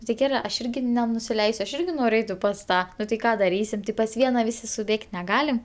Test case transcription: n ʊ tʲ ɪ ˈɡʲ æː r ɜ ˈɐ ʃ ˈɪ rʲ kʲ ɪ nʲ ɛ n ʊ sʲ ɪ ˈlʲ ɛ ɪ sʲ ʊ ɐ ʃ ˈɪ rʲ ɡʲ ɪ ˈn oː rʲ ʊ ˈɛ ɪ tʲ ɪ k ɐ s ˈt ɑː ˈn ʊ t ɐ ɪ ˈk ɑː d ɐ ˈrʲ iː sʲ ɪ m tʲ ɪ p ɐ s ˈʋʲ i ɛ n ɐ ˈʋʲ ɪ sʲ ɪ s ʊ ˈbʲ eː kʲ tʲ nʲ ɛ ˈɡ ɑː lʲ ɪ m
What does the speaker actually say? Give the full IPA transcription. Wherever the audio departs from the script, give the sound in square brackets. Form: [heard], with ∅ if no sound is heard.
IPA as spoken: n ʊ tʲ ɪ ˈɡʲ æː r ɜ ˈɐ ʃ ˈɪ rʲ [ɡʲ] ɪ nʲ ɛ n ʊ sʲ ɪ ˈlʲ ɛ ɪ sʲ ʊ ɐ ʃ ˈɪ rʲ ɡʲ ɪ ˈn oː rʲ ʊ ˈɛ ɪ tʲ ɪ [p] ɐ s ˈt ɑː ˈn ʊ t ɐ ɪ ˈk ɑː d ɐ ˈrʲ iː sʲ ɪ m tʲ ɪ p ɐ s ˈʋʲ i ɛ n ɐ ˈʋʲ ɪ sʲ ɪ s ʊ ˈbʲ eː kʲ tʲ nʲ ɛ ˈɡ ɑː lʲ ɪ m